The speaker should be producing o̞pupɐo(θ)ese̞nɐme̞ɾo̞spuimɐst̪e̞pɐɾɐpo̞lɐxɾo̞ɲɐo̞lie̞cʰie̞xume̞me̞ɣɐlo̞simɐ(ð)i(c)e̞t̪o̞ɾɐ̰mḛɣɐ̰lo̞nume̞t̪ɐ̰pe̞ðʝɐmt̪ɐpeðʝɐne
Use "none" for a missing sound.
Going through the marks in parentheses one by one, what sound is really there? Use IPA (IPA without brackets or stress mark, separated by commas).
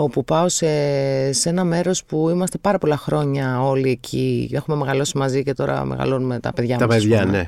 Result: s, z, c